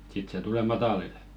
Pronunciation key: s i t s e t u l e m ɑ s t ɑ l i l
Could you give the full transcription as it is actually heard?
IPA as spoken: s i t s e t u l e m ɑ t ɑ l i l